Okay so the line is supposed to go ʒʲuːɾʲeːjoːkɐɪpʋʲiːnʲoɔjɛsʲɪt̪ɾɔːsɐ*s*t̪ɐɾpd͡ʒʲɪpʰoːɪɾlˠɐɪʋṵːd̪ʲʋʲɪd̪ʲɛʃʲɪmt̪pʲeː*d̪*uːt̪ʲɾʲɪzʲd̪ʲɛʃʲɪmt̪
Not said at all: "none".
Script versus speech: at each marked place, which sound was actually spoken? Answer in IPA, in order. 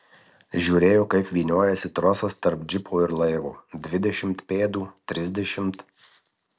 s, d̪

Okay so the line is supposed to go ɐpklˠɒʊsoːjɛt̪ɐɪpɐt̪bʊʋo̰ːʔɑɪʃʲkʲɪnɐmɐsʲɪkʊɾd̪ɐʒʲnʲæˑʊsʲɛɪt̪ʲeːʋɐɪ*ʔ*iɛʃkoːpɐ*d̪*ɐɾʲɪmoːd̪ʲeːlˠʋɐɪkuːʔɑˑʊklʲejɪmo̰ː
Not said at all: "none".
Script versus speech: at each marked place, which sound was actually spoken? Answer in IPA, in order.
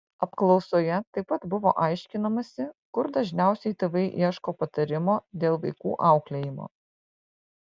ʔ, t̪

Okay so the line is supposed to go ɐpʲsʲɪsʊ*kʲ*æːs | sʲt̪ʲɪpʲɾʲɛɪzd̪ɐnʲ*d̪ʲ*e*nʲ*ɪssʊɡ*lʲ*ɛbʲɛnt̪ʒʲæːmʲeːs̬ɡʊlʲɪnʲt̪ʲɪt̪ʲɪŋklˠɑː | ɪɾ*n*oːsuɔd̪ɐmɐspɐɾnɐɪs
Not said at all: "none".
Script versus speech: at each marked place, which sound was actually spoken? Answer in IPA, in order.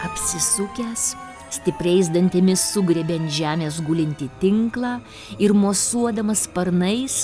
kʲ, t̪ʲ, mʲ, ɾʲ, m

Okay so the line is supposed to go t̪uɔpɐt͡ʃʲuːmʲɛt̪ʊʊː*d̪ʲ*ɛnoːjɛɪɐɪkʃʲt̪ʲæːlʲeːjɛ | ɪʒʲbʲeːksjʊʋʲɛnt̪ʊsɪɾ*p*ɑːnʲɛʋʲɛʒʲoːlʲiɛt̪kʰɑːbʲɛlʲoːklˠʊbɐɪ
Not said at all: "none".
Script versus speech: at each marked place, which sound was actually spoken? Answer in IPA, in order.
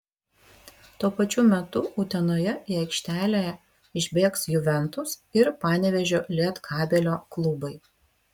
t̪ʲ, p

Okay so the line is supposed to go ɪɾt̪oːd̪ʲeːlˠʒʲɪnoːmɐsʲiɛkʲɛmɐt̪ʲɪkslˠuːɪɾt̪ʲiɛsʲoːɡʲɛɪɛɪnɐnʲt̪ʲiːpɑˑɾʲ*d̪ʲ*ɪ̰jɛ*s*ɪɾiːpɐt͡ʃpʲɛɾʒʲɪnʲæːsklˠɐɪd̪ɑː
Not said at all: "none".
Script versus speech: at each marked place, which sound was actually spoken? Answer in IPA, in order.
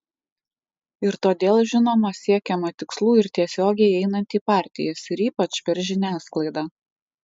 t̪ʲ, s

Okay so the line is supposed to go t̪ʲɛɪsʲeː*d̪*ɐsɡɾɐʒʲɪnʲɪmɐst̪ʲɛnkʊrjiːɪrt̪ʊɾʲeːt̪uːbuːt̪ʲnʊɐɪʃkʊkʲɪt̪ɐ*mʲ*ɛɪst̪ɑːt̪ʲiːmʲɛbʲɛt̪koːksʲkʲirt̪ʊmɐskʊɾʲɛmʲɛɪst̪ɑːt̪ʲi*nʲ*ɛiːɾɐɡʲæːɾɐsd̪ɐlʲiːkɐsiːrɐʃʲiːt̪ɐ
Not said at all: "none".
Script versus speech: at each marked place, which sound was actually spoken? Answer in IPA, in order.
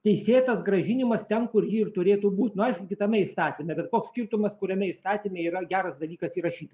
t̪, mʲ, mʲ

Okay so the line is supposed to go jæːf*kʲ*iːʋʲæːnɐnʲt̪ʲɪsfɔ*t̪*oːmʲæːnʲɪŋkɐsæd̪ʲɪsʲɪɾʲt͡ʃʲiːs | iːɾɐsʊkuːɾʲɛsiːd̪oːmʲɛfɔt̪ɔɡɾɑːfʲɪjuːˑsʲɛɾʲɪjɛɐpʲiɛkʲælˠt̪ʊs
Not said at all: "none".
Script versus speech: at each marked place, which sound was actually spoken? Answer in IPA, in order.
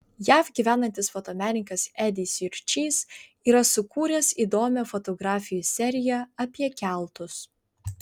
ɡʲ, t̪

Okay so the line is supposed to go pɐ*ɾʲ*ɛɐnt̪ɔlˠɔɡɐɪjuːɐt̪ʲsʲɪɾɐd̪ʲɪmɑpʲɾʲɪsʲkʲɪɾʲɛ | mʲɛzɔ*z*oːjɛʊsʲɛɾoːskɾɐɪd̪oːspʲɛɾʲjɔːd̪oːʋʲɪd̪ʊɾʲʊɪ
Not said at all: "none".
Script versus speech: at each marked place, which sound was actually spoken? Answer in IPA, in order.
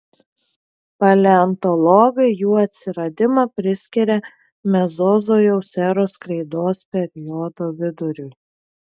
lʲ, z

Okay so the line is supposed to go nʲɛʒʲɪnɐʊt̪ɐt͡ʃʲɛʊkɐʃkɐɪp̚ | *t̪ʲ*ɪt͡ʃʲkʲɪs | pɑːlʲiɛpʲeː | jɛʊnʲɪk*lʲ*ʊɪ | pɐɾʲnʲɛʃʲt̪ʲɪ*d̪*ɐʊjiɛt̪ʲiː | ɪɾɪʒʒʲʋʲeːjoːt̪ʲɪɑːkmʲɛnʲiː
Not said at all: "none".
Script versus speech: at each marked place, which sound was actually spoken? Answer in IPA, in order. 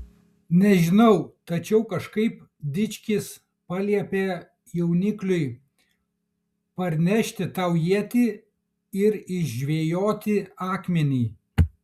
d̪ʲ, lʲ, t̪

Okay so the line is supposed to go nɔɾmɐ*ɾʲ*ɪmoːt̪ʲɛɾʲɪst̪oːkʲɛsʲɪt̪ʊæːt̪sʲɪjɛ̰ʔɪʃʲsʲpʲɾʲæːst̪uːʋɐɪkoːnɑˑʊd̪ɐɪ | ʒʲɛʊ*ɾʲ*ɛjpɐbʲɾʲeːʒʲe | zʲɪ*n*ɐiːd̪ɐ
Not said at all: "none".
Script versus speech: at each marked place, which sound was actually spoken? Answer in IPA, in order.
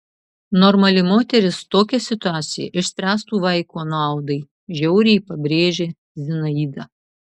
lʲ, ɾʲ, n

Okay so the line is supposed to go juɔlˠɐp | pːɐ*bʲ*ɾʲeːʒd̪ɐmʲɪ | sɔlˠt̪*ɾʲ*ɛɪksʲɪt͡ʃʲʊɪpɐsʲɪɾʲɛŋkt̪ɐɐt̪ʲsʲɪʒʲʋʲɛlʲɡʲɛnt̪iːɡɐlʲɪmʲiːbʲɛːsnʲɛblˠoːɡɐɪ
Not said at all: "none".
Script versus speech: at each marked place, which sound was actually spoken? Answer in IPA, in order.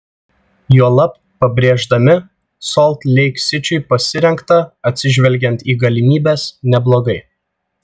bʲ, lʲ

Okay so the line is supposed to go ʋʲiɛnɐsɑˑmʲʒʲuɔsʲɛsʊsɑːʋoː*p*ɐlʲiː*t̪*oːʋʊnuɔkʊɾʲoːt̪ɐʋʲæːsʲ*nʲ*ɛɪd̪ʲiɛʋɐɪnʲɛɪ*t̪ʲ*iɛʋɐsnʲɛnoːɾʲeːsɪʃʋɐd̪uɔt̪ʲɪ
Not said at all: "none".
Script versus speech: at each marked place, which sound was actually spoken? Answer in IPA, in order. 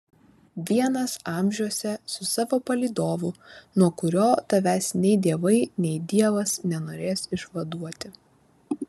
p, d̪, nʲ, d̪ʲ

